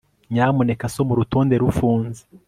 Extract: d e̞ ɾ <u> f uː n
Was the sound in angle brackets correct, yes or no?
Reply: yes